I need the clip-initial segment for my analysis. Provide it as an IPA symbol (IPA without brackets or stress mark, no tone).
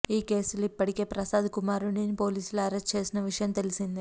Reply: iː